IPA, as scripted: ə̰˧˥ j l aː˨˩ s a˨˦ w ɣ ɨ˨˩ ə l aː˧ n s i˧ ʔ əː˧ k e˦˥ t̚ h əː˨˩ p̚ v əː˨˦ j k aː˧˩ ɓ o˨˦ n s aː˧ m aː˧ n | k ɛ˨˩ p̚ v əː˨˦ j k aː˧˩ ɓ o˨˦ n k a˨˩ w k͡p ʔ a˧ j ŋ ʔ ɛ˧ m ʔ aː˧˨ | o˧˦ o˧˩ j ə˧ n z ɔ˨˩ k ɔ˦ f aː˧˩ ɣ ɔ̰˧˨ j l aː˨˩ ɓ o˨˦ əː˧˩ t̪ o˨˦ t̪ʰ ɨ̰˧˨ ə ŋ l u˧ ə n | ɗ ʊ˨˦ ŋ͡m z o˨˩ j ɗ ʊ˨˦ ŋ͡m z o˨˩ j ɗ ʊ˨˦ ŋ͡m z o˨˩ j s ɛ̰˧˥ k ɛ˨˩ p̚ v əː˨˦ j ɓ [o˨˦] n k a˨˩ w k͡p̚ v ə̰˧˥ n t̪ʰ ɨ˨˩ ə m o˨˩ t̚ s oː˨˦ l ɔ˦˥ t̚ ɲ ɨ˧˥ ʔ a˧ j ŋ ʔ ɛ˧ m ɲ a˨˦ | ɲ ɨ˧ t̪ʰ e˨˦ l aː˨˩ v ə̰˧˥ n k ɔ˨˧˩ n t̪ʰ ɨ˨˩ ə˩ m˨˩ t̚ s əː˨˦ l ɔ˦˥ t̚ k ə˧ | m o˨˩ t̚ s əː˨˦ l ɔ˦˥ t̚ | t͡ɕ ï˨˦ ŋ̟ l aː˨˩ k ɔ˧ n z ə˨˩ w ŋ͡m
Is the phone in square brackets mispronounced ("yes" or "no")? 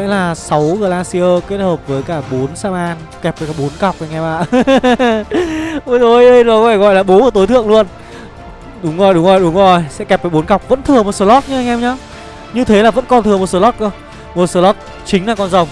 no